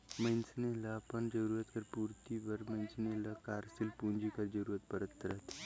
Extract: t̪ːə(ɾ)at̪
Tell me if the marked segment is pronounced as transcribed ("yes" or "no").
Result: yes